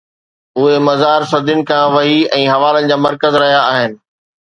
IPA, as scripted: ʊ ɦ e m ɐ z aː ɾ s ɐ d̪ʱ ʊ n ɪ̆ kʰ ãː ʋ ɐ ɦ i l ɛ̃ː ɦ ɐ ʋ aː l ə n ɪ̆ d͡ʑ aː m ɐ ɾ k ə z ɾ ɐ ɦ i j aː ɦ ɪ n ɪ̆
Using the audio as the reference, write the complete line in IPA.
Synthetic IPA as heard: ʊ ɦ e m ɐ z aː ɾ s ɐ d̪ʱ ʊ n ɪ̆ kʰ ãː ʋ ɐ ɦ i ɛ̃ː ɦ ɐ ʋ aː l ə n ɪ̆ d͡ʑ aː m ɐ ɾ k ə z ɾ ɐ ɦ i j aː ɦ ɪ n ɪ̆